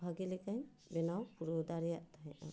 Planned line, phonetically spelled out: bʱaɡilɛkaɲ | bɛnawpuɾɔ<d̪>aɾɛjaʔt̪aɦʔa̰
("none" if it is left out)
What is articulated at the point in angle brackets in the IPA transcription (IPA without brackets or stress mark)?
d̪